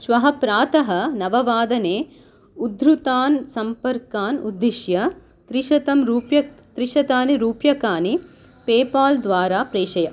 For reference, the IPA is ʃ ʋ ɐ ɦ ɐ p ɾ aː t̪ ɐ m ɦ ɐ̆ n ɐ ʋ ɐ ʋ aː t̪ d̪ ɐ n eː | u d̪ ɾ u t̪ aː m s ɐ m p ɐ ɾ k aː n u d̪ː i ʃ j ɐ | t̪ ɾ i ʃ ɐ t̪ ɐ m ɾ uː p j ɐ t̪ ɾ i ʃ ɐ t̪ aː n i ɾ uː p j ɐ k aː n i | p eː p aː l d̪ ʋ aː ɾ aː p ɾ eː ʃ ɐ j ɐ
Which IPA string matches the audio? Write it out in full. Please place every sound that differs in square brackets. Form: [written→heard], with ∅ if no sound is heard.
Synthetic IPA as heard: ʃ ʋ ɐ ɦ ɐ p ɾ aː t̪ ɐ [m→∅] ɦ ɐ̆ n ɐ ʋ ɐ ʋ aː [t̪→∅] d̪ ɐ n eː | u d̪ ɾ u t̪ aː [m→n] s ɐ m p ɐ ɾ k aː n u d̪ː i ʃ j ɐ | t̪ ɾ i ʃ ɐ t̪ ɐ m ɾ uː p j ɐ t̪ ɾ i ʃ ɐ t̪ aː n i ɾ uː p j ɐ k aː n i | p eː p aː l d̪ ʋ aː ɾ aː p ɾ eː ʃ ɐ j ɐ